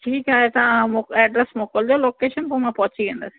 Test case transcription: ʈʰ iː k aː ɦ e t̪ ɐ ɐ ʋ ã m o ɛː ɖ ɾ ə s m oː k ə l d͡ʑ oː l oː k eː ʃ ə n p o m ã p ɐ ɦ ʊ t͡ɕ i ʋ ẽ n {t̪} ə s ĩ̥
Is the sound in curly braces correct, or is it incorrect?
incorrect